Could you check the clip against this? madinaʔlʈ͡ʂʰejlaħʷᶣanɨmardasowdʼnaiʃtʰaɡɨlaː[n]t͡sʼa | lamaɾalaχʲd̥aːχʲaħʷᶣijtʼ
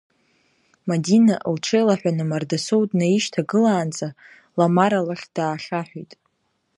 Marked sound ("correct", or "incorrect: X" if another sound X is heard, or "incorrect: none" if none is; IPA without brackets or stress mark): correct